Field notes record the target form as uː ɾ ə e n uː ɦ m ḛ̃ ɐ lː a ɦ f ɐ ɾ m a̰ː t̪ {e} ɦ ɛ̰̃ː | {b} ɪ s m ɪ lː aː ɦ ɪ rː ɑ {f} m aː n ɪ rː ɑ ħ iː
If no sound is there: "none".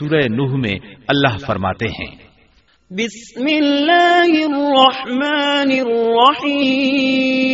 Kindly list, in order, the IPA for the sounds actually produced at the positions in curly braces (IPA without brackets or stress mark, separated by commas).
e, b, ħ